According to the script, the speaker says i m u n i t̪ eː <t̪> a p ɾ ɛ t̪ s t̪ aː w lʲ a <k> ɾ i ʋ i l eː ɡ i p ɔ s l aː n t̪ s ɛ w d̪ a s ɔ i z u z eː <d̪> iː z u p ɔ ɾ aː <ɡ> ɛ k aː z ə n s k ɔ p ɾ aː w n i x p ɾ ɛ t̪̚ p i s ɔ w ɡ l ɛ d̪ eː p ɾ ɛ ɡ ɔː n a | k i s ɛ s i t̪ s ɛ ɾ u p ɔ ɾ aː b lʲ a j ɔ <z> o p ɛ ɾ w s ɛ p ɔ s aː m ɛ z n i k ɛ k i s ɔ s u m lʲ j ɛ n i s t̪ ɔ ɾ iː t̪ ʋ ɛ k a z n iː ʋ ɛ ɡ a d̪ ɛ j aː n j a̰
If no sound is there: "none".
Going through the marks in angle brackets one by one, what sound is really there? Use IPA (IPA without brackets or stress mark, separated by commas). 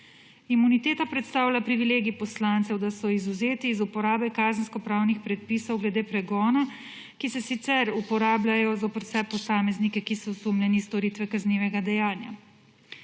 t̪, p, t̪, b, z